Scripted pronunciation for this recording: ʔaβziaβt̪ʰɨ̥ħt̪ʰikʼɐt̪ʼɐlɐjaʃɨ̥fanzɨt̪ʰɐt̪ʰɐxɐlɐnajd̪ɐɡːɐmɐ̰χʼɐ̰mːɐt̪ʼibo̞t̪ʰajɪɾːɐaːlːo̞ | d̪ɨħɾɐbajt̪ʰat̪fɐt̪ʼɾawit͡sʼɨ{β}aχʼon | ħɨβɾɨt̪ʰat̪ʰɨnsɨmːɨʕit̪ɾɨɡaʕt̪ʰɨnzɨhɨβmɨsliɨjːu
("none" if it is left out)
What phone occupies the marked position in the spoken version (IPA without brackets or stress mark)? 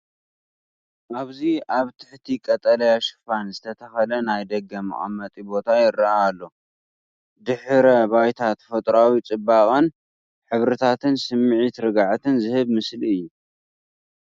b